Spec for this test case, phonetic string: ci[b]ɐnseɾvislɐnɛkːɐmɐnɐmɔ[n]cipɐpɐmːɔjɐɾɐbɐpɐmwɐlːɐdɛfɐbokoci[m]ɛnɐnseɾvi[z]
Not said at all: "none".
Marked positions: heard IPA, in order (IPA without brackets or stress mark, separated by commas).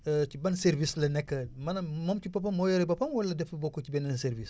b, m, b, s